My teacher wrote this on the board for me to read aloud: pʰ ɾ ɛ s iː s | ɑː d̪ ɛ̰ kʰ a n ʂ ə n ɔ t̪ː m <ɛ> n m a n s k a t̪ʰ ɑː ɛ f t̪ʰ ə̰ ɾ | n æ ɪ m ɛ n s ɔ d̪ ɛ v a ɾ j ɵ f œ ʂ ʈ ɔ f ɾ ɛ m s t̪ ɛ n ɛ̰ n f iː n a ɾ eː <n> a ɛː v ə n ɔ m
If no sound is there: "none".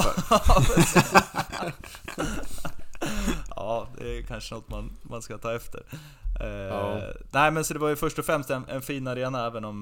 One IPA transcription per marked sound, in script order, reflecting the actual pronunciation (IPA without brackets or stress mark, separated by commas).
a, n